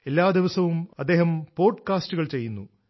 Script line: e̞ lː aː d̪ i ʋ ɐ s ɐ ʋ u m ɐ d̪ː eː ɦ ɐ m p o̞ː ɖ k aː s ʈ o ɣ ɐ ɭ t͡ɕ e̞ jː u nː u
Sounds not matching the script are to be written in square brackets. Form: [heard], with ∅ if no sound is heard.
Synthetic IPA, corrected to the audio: e̞ lː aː d̪ i ʋ ɐ s ɐ ʋ u m ɐ d̪ː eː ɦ ɐ m p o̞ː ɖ k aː s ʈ [u] ɣ ɐ ɭ t͡ɕ e̞ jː u nː u